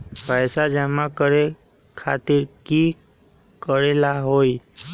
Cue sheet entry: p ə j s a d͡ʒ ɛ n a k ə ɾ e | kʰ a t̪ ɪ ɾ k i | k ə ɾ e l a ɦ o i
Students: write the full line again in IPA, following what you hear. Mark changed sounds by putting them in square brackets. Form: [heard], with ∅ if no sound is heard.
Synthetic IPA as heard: p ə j s a d͡ʒ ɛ [m] a k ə ɾ e | kʰ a t̪ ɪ ɾ k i | k ə ɾ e l a ɦ o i